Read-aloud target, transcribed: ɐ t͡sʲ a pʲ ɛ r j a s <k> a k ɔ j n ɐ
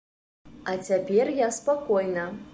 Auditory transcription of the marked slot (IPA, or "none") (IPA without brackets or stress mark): p